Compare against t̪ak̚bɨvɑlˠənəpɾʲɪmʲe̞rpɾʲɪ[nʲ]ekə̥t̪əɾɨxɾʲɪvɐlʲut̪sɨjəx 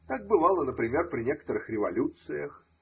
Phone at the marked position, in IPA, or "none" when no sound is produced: nʲ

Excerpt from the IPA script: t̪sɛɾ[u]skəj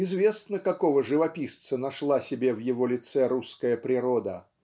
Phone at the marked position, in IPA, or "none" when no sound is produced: u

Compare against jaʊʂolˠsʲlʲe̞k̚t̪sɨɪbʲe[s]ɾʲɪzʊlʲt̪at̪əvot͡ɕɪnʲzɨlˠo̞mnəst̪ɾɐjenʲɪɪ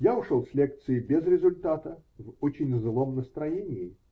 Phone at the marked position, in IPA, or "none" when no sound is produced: z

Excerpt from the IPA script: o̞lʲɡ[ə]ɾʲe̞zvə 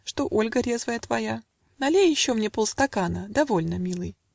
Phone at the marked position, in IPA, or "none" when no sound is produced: ə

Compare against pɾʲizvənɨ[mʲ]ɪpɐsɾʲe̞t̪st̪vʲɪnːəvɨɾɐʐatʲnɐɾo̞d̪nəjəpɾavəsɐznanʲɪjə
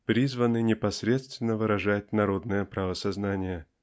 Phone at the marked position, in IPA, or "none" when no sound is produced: nʲ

